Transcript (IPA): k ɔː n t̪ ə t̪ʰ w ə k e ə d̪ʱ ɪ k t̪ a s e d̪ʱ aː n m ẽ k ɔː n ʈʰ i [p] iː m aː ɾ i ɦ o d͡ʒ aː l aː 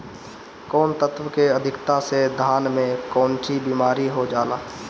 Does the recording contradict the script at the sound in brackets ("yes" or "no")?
yes